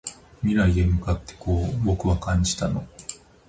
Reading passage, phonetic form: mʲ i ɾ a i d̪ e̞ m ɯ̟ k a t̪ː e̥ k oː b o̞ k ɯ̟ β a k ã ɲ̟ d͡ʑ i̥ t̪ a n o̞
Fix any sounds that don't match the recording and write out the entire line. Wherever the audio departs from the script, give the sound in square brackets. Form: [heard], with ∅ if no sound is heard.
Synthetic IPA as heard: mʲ i ɾ a i d̪ e̞ m ɯ̟ k a t̪ː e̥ k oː b o̞ k ɯ̟ β a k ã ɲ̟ d͡ʑ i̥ t̪ a n o̞